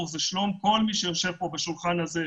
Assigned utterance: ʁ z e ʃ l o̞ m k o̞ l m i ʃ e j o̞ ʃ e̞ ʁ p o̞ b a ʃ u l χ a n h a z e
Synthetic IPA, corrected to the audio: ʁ z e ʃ l o̞ m k o̞ l m i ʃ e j o̞ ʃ e̞ v p o̞ b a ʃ u l χ a n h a z e